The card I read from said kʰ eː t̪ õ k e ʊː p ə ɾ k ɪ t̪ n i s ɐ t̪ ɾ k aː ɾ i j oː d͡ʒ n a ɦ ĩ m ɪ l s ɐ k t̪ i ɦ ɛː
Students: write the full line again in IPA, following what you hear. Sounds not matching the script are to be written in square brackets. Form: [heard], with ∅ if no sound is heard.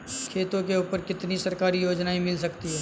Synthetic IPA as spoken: kʰ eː t̪ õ k e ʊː p ə ɾ k ɪ t̪ n i s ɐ [∅] ɾ k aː ɾ i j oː d͡ʒ n a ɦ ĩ m ɪ l s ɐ k t̪ i ɦ ɛː